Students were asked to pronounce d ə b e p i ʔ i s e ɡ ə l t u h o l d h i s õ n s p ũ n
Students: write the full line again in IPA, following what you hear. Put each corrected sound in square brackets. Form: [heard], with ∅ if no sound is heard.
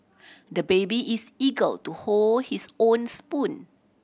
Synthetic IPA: d ə b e [b] i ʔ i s [i] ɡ ə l t u h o l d h i s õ n s p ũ n